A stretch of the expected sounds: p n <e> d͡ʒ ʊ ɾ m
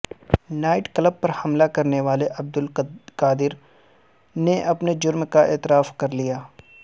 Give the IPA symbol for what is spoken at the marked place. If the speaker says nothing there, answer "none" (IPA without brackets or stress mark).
e